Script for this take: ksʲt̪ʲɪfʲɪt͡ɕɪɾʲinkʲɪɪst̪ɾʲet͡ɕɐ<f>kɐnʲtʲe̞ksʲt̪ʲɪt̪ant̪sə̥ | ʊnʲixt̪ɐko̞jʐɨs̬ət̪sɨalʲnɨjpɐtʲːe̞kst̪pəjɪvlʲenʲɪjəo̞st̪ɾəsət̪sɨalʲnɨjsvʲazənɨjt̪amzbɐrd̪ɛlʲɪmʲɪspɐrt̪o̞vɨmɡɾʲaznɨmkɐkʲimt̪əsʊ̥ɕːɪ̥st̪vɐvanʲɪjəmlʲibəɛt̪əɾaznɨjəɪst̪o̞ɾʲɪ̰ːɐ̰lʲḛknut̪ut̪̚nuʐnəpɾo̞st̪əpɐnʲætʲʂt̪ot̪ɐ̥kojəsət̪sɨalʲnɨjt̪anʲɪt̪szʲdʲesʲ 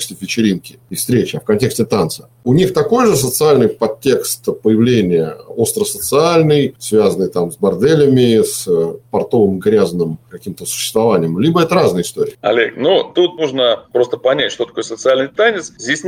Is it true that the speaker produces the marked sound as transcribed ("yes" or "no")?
yes